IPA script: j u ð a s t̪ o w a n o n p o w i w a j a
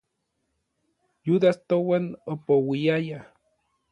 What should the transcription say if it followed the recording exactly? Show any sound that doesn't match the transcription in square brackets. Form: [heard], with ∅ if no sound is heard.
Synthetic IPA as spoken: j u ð a s t̪ o w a n o [∅] p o w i [∅] a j a